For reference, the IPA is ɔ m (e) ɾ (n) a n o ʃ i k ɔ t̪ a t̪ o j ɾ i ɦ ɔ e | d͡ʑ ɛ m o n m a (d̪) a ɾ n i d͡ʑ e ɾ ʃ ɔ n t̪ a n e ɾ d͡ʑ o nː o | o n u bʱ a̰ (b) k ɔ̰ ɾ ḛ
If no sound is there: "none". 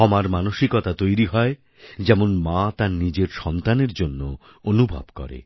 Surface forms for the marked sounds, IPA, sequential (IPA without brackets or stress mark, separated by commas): a, m, t̪, b